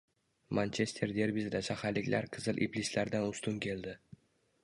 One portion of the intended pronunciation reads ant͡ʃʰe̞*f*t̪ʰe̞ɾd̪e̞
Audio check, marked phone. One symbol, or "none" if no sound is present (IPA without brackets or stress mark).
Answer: s